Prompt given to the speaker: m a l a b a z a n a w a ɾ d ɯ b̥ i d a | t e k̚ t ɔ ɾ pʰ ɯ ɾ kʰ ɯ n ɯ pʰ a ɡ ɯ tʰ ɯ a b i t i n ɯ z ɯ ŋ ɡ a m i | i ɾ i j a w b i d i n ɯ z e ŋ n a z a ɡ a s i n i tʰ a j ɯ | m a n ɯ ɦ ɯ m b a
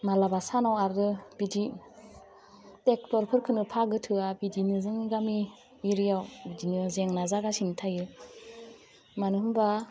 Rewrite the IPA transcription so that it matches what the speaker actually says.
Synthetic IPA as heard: m a l a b a s a n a w a ɾ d ɯ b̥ i d i | t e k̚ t ɔ ɾ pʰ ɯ ɾ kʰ ɯ n ɯ pʰ a ɡ ɯ tʰ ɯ a b i d i n ɯ z ɯ ŋ ɡ a m i | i ɾ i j a w b i d i n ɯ z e ŋ n a z a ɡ a s i n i tʰ a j ɯ | m a n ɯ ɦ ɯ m b a